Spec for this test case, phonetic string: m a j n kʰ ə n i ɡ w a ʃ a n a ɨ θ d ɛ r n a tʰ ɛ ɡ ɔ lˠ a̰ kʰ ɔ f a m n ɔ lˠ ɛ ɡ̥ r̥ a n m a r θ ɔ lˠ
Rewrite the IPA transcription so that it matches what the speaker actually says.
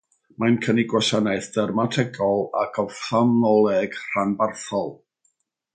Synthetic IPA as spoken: m a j n kʰ ə n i ɡ w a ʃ a n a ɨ θ d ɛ r m a tʰ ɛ ɡ ɔ lˠ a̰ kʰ ɔ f a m n ɔ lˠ ɛ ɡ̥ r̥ a n b a r θ ɔ lˠ